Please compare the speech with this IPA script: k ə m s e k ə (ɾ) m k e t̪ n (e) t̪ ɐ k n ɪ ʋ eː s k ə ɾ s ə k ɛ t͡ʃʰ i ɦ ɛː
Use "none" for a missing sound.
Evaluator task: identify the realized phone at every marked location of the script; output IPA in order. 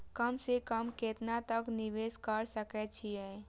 none, a

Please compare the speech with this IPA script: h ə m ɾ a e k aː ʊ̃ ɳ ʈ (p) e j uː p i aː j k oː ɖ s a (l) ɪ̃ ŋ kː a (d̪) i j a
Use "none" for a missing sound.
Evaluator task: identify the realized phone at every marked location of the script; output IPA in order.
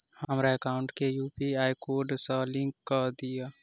k, l, d̪

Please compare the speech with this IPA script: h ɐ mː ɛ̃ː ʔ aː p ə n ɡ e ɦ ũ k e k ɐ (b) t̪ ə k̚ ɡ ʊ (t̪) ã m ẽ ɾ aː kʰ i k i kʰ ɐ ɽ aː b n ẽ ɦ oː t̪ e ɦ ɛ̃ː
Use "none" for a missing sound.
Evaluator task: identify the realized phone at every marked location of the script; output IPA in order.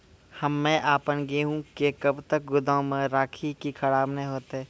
b, d̪

